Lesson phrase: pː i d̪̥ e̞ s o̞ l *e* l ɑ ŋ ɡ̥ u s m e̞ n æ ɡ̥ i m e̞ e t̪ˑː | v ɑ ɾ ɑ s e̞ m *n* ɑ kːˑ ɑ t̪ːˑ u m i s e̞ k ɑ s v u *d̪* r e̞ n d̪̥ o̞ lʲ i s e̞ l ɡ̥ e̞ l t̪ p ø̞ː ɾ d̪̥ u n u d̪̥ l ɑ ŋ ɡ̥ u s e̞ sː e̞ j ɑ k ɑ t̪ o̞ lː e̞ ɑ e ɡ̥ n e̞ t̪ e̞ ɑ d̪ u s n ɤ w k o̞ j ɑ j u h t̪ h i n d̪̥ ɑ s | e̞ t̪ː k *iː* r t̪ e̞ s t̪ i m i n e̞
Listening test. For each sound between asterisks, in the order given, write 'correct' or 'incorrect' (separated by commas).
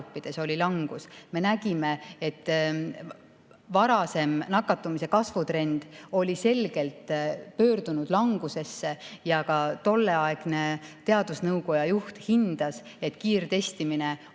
incorrect, correct, incorrect, correct